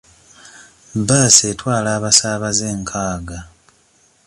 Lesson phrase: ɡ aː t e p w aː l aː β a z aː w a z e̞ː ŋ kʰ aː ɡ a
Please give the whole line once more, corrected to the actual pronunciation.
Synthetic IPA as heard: b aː s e t w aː l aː β a s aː β a z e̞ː ŋ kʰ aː ɡ a